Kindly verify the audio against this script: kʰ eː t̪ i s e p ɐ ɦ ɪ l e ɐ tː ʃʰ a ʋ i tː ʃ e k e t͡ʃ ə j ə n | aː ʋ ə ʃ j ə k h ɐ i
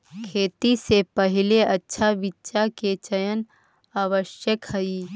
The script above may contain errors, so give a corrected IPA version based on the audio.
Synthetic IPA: kʰ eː t̪ i s e p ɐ ɦ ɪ l e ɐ tː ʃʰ a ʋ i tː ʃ a k e t͡ʃ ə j ə n | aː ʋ ə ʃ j ə k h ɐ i